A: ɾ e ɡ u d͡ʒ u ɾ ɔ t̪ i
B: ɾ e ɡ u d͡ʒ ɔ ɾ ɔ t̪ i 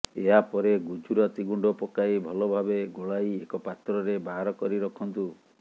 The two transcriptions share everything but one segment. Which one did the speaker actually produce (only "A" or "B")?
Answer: A